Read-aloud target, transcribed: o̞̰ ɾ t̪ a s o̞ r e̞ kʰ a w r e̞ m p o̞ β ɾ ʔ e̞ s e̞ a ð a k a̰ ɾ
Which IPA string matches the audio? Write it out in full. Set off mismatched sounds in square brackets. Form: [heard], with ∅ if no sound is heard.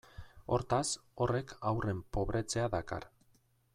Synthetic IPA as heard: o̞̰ ɾ t̪ a s o̞ r e̞ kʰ a w r e̞ m p o̞ β ɾ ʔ e̞ [t͡s] e̞ a ð a k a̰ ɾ